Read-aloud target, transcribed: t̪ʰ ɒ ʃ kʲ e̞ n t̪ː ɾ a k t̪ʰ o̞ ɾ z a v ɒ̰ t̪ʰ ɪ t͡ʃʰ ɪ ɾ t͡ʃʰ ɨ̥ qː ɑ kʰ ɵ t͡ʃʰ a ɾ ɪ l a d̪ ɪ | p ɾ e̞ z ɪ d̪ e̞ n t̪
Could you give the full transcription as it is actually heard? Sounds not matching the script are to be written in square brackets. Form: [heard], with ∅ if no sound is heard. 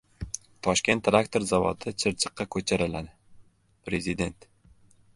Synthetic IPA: t̪ʰ ɒ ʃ kʲ e̞ n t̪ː ɾ a k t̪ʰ o̞ ɾ z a v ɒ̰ t̪ʰ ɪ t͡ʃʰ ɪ ɾ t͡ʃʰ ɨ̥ qː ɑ kʰ ɵ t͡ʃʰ a ɾ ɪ l a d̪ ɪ | p ɾ e̞ z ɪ d̪ e̞ n t̪